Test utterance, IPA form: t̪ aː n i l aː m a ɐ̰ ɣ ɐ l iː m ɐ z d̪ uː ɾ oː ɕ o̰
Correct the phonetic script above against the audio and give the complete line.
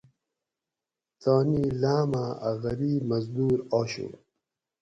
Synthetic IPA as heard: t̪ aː n i l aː m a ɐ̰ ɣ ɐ ɾ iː m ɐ z d̪ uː ɾ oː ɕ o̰